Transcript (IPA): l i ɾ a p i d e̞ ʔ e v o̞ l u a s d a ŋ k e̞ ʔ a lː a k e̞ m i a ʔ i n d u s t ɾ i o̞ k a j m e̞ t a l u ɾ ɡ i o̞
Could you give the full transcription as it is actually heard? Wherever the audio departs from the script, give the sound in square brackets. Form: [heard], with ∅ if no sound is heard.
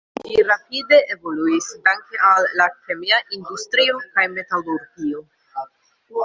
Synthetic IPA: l i ɾ a p i d e̞ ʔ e v o̞ l u [i] s d a ŋ k e̞ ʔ a lː a k e̞ m i a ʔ i n d u s t ɾ i o̞ k a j m e̞ t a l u ɾ ɡ i o̞